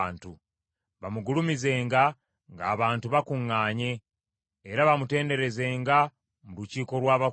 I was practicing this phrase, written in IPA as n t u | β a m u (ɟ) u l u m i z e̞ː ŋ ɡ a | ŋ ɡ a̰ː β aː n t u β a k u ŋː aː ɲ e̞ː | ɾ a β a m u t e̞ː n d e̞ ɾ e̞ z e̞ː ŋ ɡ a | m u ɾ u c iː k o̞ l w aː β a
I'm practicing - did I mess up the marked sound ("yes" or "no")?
yes